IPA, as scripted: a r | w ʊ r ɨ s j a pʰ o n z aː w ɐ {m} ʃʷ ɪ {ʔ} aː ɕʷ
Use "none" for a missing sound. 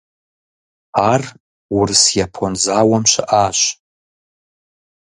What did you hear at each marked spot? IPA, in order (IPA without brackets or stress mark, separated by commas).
m, ʔ